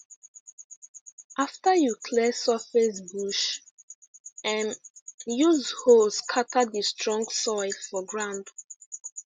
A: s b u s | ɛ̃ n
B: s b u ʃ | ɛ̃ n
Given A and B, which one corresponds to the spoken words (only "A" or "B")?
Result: B